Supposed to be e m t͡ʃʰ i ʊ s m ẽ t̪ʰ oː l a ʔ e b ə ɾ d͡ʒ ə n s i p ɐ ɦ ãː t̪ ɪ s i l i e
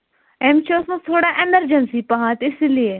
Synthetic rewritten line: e m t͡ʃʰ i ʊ s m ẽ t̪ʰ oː ɽ a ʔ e m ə ɾ d͡ʒ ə n s i p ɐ ɦ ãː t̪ ɪ s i l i e